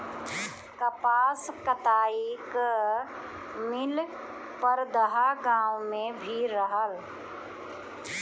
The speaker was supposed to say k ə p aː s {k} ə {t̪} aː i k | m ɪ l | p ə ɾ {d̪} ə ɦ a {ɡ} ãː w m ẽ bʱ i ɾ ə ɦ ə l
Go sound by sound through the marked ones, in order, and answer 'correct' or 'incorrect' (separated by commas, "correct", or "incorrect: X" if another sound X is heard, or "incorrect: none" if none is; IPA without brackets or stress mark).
correct, correct, correct, correct